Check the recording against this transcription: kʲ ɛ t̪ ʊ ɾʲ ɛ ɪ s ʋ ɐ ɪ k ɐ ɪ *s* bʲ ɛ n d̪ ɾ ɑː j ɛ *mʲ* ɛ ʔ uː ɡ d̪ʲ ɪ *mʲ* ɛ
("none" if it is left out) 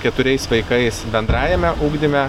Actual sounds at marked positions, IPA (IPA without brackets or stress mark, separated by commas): s, mʲ, mʲ